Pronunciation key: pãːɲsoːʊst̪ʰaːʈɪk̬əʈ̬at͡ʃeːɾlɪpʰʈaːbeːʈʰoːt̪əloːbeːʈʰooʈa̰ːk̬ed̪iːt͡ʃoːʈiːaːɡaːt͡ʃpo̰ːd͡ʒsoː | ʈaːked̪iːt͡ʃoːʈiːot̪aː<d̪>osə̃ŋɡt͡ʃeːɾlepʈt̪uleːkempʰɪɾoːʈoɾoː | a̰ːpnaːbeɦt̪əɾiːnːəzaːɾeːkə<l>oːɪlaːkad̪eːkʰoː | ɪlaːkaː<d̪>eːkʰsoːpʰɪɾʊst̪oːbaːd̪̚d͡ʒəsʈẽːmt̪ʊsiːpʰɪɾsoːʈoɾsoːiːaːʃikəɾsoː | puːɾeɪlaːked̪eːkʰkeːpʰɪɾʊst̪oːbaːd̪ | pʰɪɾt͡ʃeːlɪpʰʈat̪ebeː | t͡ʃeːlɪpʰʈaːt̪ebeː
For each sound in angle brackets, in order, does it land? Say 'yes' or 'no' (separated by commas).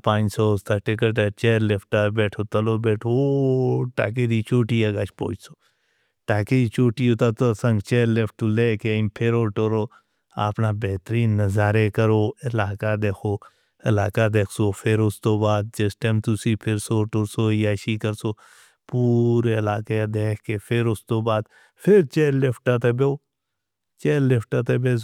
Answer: no, no, yes